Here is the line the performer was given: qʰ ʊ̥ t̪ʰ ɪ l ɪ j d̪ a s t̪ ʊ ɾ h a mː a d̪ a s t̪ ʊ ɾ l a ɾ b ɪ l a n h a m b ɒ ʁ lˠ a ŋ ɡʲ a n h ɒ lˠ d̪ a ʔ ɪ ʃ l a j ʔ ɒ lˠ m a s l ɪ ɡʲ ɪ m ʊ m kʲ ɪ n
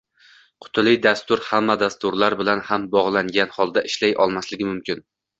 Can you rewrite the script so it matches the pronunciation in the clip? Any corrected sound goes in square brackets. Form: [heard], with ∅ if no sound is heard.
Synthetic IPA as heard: qʰ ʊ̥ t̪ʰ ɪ l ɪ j d̪ a s t̪ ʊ ɾ h a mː a d̪ a s t̪ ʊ ɾ l a ɾ b ɪ l a n h a m b ɒ ʁ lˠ a ŋ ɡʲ a n h ɒ lˠ d̪ a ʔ ɪ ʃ l a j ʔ ɒ lˠ m a s l ɪ ɡʲ ɪ m ʊ m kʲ ɪ n